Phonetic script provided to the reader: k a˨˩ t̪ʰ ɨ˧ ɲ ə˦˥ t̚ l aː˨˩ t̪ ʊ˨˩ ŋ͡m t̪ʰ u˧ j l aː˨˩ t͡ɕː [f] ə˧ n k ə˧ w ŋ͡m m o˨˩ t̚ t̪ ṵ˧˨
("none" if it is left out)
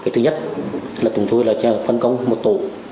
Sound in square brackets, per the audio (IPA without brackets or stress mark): f